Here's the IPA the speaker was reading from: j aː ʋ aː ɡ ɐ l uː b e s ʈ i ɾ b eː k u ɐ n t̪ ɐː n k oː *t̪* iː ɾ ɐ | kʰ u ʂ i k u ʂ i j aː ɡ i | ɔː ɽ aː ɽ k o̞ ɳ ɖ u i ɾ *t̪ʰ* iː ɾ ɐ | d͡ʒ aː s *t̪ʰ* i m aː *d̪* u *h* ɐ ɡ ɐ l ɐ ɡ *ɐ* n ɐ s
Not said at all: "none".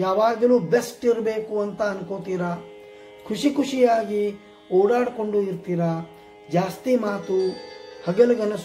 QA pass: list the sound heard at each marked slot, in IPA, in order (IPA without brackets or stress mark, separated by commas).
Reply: t̪, t̪, t̪, t̪, h, ɐ